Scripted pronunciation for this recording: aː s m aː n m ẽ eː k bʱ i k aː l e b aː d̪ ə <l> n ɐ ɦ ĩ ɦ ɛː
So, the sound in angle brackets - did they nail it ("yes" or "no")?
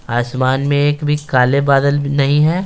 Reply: yes